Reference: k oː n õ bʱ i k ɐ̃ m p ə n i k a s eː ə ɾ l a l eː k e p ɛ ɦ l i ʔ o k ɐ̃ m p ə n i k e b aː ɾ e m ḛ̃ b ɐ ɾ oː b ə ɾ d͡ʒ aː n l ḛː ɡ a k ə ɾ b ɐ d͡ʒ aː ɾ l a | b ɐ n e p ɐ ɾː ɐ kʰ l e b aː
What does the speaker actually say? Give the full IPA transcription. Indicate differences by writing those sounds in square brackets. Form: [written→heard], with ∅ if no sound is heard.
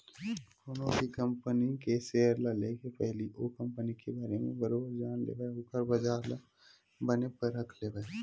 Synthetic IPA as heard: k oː n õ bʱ i k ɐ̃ m p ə n i k [a→e] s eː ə ɾ l a l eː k e p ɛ ɦ l i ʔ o k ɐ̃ m p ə n i k e b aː ɾ e m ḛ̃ b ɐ ɾ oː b ə ɾ d͡ʒ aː n l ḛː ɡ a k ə ɾ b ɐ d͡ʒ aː ɾ l a | b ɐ n e p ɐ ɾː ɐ kʰ l e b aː